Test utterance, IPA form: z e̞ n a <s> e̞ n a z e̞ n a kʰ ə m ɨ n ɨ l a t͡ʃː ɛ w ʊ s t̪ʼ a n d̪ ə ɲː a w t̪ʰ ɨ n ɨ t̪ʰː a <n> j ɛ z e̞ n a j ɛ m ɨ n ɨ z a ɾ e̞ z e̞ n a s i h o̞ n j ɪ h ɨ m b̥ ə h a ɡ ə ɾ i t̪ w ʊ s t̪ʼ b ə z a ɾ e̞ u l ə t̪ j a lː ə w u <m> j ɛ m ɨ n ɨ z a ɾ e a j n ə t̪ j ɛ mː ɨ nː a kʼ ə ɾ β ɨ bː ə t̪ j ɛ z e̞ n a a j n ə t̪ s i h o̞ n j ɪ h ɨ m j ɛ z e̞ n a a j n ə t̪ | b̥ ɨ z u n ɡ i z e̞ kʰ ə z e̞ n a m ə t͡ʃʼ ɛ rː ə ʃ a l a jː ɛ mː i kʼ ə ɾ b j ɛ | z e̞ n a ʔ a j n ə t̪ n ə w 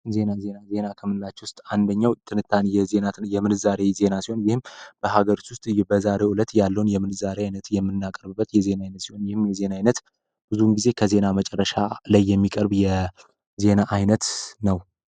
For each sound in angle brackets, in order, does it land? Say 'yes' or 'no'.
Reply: no, yes, no

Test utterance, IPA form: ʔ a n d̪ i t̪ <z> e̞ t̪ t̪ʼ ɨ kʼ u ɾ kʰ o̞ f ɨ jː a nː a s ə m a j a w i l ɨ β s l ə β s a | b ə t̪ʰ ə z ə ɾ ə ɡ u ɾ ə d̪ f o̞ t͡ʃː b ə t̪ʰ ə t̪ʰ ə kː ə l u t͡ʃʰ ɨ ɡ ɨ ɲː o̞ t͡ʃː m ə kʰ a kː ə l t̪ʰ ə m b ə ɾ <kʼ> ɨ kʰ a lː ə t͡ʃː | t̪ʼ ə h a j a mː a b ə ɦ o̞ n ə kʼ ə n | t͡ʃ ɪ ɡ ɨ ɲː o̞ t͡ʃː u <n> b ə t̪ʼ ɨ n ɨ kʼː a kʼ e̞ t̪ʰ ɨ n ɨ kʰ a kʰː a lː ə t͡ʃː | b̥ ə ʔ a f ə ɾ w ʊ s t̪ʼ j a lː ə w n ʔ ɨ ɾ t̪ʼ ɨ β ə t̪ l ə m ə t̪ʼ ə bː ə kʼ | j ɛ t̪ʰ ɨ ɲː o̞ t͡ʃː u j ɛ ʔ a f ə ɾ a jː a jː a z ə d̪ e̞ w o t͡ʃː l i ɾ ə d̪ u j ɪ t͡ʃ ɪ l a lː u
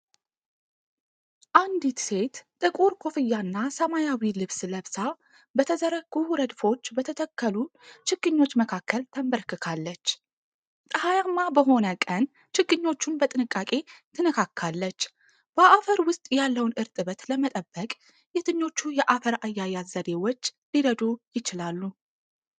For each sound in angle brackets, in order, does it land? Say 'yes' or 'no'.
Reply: no, no, yes

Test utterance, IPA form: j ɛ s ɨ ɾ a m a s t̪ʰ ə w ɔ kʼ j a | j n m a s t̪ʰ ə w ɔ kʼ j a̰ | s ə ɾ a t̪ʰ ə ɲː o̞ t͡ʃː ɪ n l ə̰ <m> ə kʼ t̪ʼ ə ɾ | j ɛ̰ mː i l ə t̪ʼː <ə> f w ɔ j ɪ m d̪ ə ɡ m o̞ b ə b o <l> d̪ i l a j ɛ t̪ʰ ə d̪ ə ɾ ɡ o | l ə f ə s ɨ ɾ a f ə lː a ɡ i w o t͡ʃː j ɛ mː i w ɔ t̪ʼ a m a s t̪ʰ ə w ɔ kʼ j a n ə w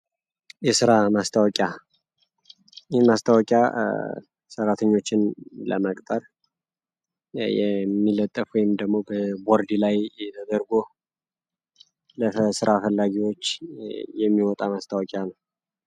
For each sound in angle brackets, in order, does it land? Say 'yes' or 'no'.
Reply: yes, yes, no

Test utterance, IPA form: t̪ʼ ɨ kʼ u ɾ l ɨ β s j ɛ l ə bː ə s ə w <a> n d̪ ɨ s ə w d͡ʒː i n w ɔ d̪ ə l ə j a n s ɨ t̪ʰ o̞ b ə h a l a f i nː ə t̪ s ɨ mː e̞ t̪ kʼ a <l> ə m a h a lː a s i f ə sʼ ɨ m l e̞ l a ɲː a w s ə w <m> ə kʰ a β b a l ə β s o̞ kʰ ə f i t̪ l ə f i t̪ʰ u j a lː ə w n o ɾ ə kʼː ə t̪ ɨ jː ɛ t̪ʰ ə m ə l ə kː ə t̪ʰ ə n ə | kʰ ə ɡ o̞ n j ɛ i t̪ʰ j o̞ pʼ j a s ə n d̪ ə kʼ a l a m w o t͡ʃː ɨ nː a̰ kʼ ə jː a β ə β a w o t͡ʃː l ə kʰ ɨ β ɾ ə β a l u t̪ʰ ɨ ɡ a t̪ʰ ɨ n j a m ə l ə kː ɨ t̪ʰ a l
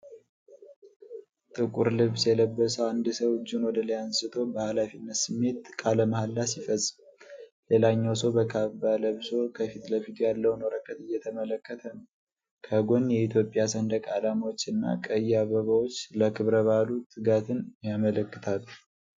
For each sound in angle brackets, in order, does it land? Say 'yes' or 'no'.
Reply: yes, yes, no

